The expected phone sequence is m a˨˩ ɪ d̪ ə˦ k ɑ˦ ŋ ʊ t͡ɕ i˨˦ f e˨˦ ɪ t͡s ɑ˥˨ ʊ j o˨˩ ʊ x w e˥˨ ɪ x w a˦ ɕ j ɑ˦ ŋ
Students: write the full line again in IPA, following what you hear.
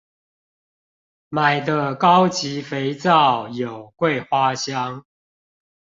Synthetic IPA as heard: m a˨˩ ɪ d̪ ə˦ k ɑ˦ ʊ t͡ɕ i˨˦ f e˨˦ ɪ t͡s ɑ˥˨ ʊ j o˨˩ ʊ k w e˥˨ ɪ x w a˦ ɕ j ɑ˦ ŋ